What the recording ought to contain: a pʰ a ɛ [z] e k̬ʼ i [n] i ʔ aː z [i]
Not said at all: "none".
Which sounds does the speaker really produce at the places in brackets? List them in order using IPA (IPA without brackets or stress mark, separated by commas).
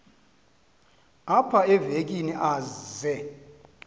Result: v, n, ɛ